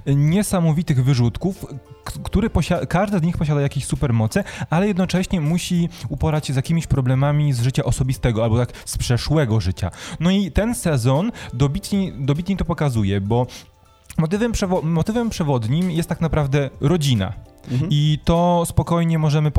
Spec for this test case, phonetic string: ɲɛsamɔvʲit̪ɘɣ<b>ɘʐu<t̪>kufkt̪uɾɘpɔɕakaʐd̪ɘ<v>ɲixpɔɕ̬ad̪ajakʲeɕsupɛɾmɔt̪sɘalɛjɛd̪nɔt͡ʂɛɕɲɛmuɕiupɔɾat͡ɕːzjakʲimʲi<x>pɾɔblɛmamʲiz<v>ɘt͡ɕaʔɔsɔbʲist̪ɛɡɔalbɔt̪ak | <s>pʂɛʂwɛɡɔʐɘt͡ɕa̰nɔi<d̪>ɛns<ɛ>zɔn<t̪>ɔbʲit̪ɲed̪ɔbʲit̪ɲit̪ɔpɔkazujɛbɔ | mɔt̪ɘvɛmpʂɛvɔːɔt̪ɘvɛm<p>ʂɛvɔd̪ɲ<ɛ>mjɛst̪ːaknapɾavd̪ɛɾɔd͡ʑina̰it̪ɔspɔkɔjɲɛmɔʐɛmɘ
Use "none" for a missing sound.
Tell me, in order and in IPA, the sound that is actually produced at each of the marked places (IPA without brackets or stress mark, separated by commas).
v, t̪, z, ɕ, ʐ, s, t̪, ɛ, d̪, p, i